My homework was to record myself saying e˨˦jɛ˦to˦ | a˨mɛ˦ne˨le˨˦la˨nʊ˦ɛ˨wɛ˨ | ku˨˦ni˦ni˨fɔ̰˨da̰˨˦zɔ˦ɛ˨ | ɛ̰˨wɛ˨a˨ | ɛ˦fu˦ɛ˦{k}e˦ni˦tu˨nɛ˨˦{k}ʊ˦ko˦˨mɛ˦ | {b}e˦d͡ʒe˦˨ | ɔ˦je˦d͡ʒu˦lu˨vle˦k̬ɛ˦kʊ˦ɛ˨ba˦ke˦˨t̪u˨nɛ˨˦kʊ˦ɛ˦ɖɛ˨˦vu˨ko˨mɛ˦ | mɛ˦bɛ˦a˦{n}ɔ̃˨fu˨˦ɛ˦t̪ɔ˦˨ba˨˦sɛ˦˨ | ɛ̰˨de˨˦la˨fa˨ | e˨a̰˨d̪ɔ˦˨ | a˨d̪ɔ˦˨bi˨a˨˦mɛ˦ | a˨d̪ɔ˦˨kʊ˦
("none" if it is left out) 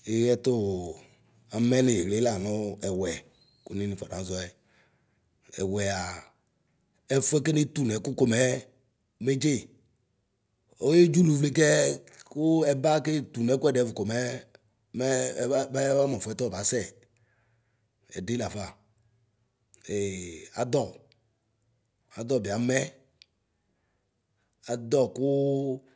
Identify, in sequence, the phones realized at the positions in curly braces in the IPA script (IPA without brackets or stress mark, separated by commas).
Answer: k, k, m, m